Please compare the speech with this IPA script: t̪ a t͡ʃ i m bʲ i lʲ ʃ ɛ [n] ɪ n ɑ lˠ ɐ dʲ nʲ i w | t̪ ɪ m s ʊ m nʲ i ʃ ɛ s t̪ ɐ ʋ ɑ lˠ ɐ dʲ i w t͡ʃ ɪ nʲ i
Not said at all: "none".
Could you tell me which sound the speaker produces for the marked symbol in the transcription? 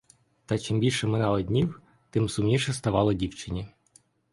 m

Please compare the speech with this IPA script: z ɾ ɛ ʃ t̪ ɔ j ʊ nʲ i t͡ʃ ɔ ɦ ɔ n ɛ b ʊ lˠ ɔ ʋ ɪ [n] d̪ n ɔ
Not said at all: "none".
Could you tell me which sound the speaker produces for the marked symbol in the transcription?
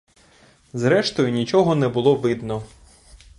none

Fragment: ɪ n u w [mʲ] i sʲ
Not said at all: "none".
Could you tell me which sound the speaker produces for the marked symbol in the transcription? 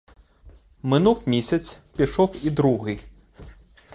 mʲ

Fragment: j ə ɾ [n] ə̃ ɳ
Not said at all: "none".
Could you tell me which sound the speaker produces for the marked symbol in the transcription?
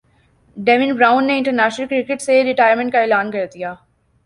m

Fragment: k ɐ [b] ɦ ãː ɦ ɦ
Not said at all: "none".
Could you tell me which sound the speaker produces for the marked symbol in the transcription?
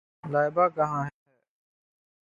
none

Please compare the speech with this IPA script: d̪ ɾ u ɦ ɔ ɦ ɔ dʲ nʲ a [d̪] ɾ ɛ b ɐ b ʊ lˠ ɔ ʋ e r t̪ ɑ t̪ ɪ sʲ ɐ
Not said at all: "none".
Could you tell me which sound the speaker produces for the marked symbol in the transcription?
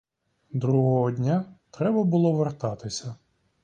t̪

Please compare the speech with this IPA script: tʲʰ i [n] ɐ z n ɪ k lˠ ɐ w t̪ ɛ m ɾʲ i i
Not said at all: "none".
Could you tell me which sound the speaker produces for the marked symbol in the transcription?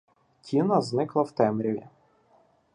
n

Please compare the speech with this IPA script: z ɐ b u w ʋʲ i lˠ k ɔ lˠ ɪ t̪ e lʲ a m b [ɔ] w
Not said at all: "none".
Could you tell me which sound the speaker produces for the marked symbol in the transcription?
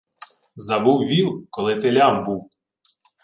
u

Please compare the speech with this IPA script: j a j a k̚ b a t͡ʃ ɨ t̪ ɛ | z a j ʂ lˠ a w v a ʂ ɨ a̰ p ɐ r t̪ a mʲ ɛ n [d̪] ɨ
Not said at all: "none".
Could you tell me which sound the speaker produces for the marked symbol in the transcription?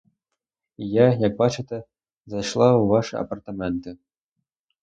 t̪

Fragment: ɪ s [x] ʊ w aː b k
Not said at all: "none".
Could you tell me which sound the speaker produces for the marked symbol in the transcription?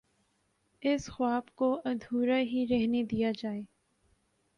x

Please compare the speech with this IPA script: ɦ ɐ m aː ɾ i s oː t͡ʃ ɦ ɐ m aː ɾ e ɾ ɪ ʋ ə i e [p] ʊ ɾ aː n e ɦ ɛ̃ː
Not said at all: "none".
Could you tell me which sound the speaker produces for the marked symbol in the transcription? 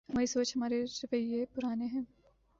p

